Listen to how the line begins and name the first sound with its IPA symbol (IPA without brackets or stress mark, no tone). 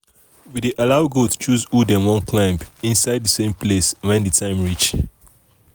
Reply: w